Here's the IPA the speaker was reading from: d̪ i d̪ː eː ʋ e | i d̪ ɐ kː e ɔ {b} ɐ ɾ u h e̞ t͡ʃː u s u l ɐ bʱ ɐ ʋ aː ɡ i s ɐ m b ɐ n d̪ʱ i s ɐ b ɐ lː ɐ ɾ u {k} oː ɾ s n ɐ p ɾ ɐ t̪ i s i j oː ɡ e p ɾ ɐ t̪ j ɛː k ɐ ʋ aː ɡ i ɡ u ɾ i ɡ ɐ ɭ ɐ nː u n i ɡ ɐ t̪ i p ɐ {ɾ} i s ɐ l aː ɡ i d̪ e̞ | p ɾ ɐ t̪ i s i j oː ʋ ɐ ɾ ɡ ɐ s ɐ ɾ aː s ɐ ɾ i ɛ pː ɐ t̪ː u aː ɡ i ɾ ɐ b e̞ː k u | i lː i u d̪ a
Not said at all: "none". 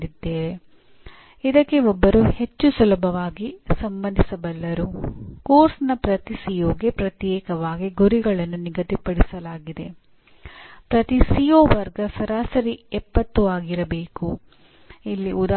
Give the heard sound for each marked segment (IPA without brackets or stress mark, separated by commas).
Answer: bː, k, ɽ